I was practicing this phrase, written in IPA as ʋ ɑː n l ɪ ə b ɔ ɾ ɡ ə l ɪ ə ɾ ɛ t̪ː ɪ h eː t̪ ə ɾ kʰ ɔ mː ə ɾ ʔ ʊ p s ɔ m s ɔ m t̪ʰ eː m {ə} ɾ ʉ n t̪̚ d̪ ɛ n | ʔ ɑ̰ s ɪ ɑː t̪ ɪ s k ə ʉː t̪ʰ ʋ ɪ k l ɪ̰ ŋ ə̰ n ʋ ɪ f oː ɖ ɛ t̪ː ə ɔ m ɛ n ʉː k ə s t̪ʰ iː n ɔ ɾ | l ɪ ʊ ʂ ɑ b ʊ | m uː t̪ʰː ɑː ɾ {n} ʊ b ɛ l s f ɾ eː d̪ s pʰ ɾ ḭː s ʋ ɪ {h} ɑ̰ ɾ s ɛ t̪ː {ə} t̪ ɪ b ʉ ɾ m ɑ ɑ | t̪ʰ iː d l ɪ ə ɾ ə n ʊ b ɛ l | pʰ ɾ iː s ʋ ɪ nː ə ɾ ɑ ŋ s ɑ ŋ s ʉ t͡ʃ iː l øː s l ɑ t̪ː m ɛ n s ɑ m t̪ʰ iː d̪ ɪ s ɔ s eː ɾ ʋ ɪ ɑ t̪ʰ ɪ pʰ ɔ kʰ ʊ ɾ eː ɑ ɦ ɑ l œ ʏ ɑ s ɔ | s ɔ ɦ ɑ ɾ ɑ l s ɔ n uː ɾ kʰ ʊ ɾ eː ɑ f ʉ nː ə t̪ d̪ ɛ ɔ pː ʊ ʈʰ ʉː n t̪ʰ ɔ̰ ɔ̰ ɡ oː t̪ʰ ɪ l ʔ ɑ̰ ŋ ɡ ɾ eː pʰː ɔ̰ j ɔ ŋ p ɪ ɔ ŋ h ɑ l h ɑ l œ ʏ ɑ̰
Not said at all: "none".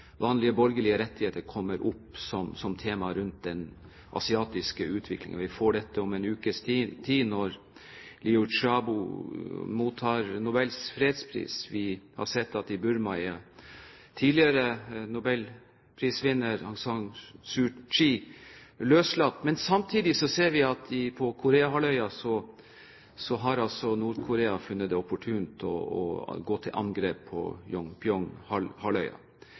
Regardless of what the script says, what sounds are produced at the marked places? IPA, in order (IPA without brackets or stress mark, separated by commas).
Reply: ɑ, n, h, ɑ